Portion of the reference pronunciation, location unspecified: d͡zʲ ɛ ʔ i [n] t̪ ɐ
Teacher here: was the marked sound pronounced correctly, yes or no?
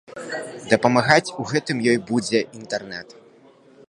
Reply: yes